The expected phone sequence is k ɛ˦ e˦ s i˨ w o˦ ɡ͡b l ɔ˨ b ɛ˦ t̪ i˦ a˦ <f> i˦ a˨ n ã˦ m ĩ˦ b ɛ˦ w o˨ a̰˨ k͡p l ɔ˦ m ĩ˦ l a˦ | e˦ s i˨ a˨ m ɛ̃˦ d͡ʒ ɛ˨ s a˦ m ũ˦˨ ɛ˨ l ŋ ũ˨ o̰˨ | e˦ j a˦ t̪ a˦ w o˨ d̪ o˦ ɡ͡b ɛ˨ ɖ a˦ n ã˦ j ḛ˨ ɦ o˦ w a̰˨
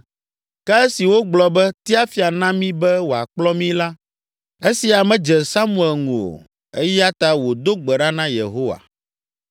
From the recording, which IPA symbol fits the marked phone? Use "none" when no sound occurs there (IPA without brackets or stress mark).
f